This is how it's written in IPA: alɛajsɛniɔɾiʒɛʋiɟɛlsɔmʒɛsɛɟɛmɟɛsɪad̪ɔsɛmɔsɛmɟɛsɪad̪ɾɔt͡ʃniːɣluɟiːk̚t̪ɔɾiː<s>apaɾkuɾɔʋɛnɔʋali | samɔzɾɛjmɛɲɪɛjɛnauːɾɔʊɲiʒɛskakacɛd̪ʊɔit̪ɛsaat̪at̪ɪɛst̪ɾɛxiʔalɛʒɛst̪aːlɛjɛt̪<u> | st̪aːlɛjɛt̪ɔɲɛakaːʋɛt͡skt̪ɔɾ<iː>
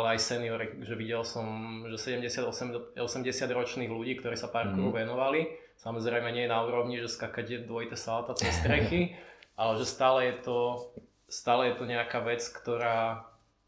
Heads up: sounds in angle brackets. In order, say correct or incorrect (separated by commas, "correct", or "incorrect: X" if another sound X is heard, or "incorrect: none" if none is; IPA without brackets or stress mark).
correct, incorrect: ɔ, incorrect: aː